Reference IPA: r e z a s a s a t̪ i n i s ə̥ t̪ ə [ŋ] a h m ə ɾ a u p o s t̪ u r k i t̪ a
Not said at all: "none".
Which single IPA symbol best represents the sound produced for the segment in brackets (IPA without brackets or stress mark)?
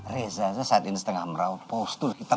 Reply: ŋ